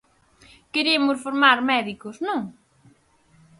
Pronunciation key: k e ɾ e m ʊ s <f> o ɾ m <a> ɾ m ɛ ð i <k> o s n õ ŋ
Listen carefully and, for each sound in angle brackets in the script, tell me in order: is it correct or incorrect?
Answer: correct, correct, correct

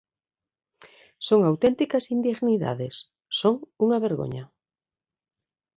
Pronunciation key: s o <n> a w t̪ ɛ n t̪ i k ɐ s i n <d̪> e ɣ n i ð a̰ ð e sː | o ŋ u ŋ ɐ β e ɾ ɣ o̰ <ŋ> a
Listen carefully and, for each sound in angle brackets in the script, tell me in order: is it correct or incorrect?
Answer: incorrect, correct, incorrect

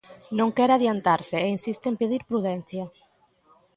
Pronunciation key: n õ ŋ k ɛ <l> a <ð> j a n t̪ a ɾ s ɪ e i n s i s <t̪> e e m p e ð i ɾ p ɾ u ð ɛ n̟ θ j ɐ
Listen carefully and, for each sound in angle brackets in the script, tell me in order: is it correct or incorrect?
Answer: incorrect, correct, correct

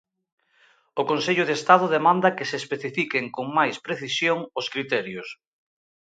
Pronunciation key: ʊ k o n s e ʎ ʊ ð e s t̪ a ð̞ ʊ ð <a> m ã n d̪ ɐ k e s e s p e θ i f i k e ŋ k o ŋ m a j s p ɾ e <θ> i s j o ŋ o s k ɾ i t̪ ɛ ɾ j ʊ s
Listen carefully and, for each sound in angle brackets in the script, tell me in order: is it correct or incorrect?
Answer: incorrect, correct

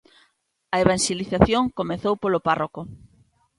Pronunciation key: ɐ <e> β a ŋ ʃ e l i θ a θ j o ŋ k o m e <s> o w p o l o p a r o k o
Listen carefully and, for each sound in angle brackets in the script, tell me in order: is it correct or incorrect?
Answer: correct, incorrect

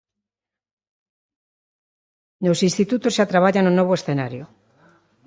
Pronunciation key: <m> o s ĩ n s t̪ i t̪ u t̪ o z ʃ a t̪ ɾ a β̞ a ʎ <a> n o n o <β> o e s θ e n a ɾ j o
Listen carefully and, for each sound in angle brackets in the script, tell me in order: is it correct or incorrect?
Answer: incorrect, correct, correct

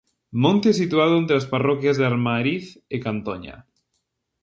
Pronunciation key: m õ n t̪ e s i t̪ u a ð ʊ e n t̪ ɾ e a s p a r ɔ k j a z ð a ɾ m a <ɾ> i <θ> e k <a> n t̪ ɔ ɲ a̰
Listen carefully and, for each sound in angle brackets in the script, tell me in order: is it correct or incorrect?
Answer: correct, correct, correct

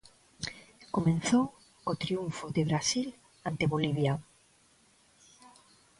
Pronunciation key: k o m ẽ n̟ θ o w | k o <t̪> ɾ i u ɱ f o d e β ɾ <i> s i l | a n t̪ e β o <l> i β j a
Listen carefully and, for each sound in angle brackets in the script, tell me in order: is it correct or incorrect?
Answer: correct, incorrect, correct

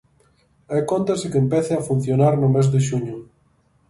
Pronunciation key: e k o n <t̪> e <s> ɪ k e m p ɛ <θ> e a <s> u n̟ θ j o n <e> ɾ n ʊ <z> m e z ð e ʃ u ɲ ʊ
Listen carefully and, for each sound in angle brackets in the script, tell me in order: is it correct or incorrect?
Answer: correct, correct, correct, incorrect, incorrect, incorrect

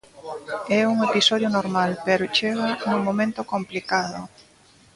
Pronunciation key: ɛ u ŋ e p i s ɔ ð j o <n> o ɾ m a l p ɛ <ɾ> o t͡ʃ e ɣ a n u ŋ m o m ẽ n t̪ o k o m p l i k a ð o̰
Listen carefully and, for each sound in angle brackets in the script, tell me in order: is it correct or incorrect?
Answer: correct, correct

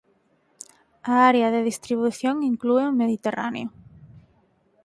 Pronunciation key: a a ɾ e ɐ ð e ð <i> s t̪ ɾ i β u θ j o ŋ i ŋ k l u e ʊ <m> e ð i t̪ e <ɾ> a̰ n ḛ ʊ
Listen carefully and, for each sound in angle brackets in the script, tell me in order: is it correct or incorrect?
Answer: correct, correct, incorrect

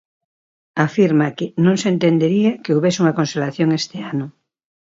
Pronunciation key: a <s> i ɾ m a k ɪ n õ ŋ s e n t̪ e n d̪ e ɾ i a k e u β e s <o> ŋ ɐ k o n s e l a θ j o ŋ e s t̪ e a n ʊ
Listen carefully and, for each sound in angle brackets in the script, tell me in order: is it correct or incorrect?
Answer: incorrect, incorrect

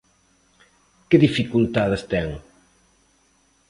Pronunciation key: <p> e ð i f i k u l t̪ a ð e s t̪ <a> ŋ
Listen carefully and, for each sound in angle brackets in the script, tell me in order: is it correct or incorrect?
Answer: incorrect, incorrect

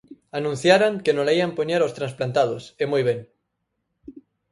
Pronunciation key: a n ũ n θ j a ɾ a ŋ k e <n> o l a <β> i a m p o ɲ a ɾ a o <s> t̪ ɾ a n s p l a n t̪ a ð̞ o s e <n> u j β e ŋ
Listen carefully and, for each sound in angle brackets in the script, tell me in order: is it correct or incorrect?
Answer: correct, incorrect, correct, incorrect

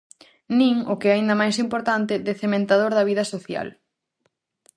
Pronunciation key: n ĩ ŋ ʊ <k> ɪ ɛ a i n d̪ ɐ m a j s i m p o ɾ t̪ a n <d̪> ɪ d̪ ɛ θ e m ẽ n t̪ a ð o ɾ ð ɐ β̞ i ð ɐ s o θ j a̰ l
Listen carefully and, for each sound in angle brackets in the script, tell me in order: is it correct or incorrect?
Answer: correct, incorrect

